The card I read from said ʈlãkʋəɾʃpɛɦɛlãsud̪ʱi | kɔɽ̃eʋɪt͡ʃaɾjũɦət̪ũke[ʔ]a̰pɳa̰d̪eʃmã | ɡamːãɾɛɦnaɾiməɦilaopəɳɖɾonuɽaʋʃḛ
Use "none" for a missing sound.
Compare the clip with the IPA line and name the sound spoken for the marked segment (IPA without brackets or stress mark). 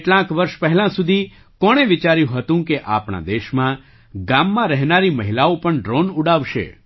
ʔ